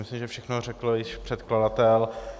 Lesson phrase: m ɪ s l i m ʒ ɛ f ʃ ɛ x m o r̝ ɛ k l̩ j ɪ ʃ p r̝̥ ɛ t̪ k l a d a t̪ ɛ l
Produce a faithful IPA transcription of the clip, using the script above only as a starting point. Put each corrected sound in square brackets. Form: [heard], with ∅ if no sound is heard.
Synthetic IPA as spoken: m ɪ s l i m ʒ ɛ f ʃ ɛ x [n] o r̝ ɛ k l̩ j ɪ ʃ p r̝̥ ɛ t̪ k l a d a t̪ ɛ l